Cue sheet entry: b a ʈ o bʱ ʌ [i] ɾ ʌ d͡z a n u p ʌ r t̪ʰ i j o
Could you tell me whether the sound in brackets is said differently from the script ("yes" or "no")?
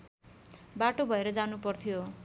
yes